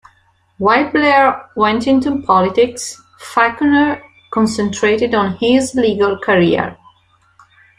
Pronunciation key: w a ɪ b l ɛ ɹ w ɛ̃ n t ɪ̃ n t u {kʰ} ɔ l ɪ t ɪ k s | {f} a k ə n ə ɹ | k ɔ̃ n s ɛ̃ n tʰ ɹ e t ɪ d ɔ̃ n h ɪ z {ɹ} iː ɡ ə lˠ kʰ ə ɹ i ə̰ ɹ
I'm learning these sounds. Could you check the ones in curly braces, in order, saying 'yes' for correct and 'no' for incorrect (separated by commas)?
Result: no, yes, no